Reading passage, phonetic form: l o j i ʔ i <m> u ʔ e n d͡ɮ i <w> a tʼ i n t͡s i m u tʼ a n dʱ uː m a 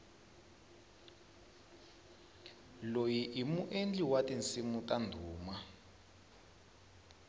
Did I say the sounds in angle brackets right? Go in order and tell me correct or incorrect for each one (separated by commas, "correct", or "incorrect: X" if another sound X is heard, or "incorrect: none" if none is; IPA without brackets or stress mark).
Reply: correct, correct